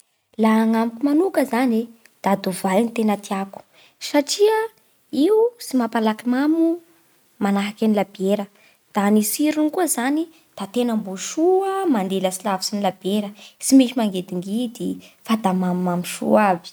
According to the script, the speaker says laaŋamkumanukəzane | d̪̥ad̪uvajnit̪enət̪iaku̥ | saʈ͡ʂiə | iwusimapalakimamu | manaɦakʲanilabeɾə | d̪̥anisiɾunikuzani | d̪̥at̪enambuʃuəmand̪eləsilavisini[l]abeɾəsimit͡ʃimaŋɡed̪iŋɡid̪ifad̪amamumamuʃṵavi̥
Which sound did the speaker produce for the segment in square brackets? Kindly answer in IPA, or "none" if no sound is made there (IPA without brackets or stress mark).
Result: l